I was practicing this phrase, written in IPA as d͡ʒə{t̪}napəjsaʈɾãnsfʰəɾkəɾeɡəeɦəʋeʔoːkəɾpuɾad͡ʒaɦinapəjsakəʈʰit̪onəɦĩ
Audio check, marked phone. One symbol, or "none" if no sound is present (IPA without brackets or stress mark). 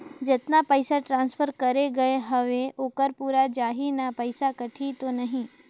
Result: t̪